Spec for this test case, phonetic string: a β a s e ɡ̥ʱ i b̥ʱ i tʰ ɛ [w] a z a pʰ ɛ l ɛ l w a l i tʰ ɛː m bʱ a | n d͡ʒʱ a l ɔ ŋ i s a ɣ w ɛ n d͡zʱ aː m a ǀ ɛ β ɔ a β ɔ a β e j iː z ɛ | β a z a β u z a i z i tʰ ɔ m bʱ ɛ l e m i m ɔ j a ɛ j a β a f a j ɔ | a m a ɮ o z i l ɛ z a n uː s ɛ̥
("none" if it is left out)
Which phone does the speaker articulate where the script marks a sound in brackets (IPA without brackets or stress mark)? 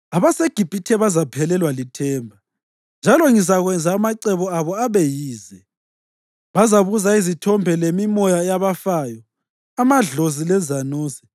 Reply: β